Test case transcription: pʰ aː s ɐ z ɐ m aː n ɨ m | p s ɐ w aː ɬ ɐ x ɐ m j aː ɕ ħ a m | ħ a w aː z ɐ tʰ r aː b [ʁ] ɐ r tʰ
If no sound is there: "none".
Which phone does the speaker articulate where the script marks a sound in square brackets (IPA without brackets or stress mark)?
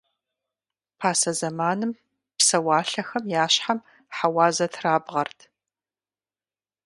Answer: ʁ